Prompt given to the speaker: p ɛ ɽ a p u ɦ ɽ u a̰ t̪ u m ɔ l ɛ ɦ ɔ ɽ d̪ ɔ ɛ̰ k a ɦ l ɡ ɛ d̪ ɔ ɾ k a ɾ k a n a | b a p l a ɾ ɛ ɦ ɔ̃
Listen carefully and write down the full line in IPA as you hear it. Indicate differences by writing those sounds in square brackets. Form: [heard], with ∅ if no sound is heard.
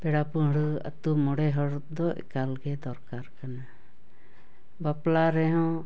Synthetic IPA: p ɛ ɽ a p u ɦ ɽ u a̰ t̪ u m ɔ [ɽ] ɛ ɦ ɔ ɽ d̪ ɔ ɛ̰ k a [∅] l ɡ ɛ d̪ ɔ ɾ k a ɾ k a n a | b a p l a ɾ ɛ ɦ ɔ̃